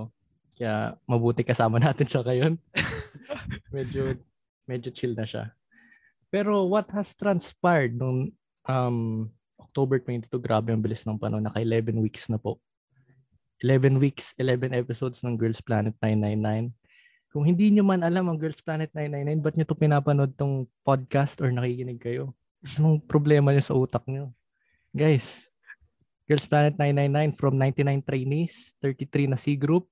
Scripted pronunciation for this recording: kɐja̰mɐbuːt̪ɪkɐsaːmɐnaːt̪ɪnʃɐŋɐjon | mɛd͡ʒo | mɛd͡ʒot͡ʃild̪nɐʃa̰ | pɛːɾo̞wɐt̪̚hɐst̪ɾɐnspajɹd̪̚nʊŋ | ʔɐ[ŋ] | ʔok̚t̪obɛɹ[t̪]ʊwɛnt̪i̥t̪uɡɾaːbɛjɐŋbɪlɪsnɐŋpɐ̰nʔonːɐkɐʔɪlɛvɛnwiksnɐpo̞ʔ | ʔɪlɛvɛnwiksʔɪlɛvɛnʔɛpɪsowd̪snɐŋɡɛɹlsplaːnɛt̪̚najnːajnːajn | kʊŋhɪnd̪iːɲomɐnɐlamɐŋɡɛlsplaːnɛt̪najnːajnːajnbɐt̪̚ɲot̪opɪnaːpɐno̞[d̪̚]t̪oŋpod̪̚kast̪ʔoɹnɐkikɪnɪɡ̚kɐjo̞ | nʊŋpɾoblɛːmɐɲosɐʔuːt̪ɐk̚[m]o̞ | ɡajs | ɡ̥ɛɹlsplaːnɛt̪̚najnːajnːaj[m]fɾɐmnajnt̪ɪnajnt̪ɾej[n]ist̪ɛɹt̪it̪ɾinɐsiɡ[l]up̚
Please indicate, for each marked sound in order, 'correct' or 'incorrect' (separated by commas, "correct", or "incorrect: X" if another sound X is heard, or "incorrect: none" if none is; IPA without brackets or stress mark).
incorrect: m, correct, correct, incorrect: ɲ, incorrect: n, correct, incorrect: ɾ